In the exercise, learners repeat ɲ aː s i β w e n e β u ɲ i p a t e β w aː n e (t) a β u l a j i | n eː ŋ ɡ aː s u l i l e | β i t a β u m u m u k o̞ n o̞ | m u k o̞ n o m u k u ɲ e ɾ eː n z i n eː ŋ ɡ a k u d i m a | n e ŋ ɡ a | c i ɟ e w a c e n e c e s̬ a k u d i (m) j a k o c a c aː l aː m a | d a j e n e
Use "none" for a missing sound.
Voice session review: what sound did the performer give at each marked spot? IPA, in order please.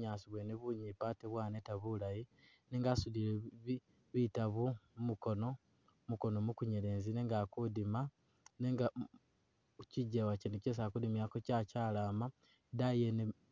t, m

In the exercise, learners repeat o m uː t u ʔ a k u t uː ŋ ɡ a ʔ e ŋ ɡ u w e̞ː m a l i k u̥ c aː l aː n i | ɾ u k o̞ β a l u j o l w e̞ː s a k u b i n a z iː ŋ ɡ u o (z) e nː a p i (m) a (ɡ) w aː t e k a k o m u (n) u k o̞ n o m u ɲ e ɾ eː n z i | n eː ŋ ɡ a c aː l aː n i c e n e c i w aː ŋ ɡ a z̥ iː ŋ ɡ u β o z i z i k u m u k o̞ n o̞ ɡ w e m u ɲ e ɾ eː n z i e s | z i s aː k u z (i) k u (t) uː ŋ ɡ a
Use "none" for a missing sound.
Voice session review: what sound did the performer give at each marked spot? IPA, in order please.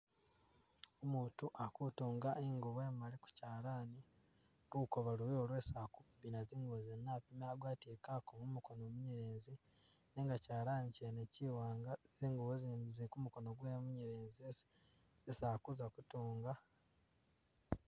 z, m, ɡ, m, a, t

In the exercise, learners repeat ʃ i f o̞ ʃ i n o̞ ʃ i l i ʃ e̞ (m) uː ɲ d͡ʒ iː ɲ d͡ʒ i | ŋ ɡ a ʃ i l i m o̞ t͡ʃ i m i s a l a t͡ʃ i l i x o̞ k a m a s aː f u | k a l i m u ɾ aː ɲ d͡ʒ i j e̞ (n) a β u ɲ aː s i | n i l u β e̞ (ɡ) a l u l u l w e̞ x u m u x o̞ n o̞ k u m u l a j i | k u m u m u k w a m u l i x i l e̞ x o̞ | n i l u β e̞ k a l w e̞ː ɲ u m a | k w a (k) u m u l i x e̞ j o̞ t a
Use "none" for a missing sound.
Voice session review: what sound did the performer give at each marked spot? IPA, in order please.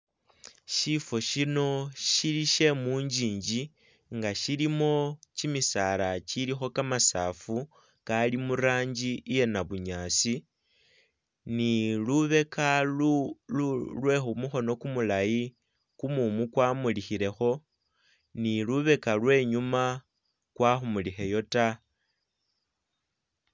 m, n, k, x

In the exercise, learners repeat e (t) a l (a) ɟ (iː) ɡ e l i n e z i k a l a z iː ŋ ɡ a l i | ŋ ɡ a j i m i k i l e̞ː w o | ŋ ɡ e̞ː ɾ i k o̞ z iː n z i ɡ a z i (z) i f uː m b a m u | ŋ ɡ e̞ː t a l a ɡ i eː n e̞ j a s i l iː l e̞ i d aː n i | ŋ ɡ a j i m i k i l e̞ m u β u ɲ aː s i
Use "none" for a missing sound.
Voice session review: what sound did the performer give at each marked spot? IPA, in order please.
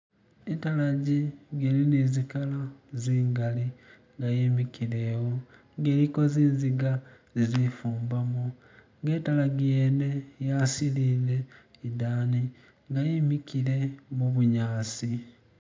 t, a, i, z

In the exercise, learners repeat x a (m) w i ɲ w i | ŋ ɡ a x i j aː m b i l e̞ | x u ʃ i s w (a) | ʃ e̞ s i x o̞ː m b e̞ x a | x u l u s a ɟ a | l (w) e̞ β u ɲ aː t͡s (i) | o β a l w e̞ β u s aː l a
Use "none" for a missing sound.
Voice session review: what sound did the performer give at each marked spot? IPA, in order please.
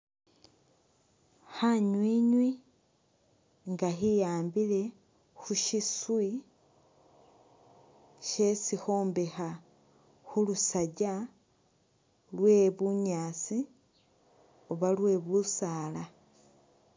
ɲ, i, w, i

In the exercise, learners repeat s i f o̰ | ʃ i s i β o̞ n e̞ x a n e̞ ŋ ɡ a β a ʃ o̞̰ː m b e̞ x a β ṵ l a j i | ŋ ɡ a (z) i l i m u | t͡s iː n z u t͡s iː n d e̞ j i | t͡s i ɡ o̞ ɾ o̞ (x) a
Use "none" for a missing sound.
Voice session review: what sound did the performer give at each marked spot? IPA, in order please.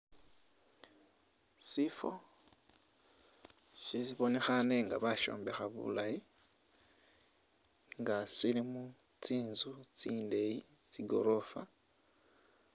s, f

